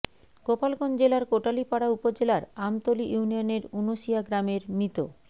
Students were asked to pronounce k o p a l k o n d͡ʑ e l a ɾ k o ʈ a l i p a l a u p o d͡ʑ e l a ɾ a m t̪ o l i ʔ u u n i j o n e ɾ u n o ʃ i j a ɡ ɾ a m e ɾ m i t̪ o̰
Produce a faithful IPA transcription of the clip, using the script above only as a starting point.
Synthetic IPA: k o p a l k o n d͡ʑ e l a ɾ k o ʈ a l i p a ɽ a u p o d͡ʑ e l a ɾ a m t̪ o l i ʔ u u n i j o n e ɾ u n o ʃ i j a ɡ ɾ a m e ɾ m i t̪ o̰